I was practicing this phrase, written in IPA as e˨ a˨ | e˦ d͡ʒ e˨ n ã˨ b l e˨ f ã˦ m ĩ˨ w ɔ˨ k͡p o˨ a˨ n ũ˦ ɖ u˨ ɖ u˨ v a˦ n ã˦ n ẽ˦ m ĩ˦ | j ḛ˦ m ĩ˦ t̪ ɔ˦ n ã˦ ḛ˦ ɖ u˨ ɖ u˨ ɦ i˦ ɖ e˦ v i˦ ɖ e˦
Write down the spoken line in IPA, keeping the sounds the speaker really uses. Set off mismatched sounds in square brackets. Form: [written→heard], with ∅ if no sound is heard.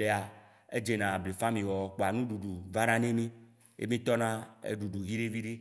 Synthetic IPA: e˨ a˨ | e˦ d͡ʒ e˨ n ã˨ b l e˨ f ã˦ m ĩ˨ w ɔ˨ k͡p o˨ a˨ n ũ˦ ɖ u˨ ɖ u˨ v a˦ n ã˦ n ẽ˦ m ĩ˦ | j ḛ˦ m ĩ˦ t̪ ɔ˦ n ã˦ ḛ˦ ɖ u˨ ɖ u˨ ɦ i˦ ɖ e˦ v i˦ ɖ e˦